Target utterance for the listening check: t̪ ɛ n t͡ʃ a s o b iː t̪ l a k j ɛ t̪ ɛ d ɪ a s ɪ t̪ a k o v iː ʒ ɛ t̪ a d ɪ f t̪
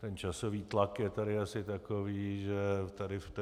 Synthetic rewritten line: t̪ ɛ n t͡ʃ a s o v iː t̪ l a k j ɛ t̪ a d ɪ a s ɪ t̪ a k o v iː ʒ ɛ t̪ a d ɪ f t̪